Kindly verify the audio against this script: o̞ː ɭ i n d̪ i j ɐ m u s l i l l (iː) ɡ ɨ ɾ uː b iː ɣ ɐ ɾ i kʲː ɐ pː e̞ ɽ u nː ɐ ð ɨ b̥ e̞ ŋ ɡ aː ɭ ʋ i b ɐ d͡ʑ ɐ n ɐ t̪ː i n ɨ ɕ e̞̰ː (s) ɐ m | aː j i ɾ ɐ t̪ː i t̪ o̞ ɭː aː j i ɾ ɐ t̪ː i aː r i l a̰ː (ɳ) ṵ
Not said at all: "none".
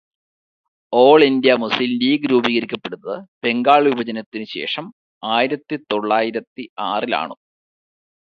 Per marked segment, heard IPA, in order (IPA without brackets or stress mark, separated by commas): iː, ʂ, ɳ